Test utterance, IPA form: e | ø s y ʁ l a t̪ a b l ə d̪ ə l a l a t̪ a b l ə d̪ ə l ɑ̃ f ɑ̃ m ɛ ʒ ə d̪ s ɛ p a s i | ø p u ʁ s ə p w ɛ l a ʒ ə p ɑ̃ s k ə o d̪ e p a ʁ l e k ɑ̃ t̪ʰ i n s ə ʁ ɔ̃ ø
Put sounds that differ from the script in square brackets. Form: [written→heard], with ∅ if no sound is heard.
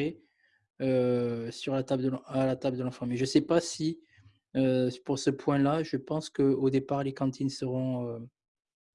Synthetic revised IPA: e | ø s y ʁ l a t̪ a b l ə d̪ ə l a l a t̪ a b l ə d̪ ə l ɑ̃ f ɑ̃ m ɛ ʒ ə [d̪→∅] s ɛ p a s i | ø p u ʁ s ə p w [ɛ→ɛ̃] l a ʒ ə p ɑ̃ s k ə o d̪ e p a ʁ l e k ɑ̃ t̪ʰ i n s ə ʁ ɔ̃ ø